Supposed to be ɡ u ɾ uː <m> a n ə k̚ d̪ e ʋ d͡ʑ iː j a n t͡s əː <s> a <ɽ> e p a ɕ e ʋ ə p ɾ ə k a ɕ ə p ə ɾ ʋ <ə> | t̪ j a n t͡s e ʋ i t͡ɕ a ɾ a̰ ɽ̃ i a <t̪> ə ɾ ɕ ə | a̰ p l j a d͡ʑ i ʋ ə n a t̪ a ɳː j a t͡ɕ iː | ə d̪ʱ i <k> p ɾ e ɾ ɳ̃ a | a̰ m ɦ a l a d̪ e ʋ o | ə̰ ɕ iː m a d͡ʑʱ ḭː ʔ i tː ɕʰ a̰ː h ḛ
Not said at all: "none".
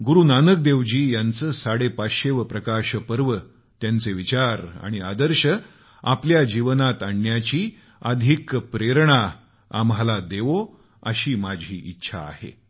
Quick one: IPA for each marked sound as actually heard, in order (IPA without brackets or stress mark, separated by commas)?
n, s, ɽ, ə, d̪, k